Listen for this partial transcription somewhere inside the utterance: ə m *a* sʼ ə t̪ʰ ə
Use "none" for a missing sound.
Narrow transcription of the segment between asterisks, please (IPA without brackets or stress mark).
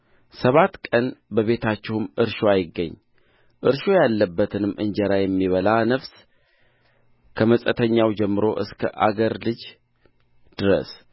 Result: ə